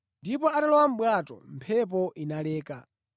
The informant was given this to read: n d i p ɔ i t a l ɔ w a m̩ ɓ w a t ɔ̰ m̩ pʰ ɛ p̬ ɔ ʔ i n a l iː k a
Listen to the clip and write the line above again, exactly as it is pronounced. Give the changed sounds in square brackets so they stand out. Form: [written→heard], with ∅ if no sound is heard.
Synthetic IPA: n d i p ɔ [i→a] t a l ɔ w a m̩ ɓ w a t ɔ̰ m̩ pʰ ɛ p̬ ɔ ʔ i n a l [iː→ɛː] k a